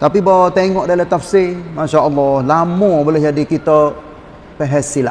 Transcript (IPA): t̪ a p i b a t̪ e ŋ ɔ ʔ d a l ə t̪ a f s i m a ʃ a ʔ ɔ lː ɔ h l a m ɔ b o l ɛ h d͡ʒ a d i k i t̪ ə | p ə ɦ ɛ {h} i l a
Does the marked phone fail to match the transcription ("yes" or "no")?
yes